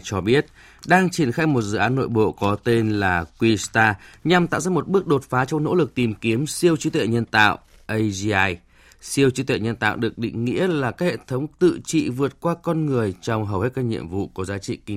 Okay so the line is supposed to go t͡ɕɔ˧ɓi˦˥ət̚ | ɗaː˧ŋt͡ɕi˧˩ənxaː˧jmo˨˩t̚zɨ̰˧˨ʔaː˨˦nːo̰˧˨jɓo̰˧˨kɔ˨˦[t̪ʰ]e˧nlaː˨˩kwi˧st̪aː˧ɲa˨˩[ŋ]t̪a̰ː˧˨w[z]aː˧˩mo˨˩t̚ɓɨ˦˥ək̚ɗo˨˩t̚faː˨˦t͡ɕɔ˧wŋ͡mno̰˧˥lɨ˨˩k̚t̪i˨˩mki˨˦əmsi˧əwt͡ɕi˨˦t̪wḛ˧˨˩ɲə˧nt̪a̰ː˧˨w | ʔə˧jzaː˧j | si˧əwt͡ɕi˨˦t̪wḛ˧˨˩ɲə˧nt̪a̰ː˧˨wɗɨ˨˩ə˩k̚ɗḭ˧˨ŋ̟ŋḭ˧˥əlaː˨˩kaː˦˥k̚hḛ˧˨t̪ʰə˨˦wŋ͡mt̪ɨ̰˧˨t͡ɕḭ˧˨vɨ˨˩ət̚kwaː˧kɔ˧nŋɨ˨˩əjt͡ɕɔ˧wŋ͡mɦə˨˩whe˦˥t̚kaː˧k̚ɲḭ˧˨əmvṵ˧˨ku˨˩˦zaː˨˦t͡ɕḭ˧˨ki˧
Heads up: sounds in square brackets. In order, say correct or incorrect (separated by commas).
incorrect, incorrect, correct